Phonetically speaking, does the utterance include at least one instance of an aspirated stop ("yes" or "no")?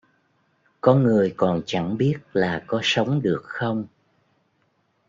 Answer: no